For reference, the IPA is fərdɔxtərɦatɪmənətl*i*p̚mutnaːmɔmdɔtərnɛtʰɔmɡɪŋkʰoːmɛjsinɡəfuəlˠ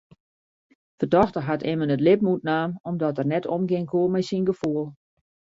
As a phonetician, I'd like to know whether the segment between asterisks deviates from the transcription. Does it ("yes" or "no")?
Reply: yes